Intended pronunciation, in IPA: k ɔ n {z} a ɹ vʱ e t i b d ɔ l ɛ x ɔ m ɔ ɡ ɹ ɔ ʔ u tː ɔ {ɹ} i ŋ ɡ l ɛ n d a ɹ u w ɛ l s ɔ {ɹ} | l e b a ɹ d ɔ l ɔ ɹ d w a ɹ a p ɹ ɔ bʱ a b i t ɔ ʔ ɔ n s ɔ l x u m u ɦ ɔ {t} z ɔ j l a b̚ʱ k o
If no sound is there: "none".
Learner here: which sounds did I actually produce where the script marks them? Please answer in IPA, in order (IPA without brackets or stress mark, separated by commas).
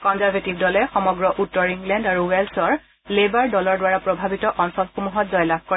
z, ɹ, ɹ, t